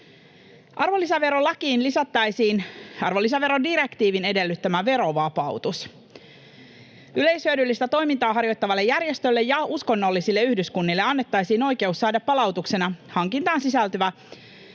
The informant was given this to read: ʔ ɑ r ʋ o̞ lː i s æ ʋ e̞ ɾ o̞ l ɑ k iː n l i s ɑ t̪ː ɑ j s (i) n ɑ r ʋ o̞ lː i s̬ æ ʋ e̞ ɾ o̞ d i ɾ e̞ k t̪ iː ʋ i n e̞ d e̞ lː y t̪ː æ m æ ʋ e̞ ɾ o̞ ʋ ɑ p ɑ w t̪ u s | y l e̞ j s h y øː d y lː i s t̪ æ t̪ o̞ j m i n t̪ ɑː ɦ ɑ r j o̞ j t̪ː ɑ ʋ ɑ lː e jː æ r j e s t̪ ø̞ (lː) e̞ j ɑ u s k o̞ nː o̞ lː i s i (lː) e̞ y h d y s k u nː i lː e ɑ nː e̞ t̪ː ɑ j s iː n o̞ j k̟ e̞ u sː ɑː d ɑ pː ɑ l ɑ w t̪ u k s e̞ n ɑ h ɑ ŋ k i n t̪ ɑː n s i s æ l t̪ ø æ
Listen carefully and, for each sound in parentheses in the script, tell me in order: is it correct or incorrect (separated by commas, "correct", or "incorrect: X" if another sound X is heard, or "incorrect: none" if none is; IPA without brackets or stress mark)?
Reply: incorrect: iː, correct, correct